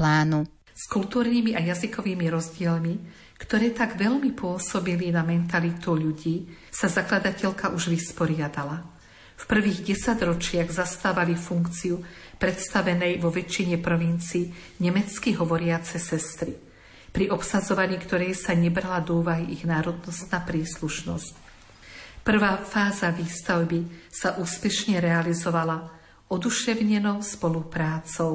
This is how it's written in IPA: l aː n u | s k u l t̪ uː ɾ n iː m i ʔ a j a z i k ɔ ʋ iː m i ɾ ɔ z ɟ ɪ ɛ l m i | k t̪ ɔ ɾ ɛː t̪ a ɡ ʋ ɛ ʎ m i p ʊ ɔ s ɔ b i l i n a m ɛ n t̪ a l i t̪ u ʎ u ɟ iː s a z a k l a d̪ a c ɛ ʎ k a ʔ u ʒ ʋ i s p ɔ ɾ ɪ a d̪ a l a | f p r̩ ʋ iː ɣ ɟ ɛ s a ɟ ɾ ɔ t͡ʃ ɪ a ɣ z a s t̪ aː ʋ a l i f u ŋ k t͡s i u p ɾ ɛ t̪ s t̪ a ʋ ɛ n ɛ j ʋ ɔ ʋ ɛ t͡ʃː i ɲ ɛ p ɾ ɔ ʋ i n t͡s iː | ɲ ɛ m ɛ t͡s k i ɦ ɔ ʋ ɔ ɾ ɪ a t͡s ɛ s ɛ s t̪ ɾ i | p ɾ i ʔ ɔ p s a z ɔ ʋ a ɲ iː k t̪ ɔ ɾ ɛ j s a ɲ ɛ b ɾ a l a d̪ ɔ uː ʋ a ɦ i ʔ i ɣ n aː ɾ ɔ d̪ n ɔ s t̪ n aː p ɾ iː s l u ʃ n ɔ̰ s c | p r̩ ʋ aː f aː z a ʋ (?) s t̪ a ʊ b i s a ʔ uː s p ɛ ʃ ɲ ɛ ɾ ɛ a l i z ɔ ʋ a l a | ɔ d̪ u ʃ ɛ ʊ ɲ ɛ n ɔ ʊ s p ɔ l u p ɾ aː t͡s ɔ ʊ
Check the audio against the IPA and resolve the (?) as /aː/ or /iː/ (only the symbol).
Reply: iː